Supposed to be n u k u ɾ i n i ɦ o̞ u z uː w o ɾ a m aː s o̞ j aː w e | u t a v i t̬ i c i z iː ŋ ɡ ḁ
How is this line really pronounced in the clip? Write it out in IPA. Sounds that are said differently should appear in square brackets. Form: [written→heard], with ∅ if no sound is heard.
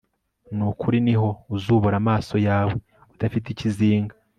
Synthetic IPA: n u k u ɾ i n i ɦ o̞ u z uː [w→β] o ɾ a m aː s o̞ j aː w e | u t a [v→f] i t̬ i c i z iː ŋ ɡ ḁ